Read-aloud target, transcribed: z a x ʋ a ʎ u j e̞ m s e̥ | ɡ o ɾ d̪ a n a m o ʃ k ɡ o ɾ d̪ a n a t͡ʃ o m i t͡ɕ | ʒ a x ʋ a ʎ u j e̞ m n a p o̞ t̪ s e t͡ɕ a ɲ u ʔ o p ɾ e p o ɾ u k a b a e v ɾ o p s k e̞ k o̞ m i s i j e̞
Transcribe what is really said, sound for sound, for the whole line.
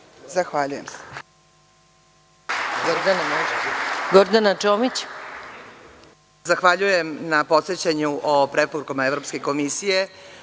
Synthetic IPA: z a x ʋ a ʎ u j e̞ m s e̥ | ɡ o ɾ d̪ a n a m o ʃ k ɡ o ɾ d̪ a n a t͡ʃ o m i t͡ɕ | z a x ʋ a ʎ u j e̞ m n a p o̞ t̪ s e t͡ɕ a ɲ u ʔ o p ɾ e p o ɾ u k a m a e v ɾ o p s k e̞ k o̞ m i s i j e̞